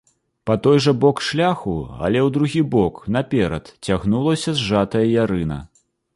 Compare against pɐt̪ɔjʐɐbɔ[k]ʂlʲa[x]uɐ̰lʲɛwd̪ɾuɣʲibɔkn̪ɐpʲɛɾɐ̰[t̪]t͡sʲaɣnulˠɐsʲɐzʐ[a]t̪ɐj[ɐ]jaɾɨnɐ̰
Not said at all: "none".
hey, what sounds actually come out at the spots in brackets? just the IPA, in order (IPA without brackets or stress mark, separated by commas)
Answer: k, x, t̪, a, ɐ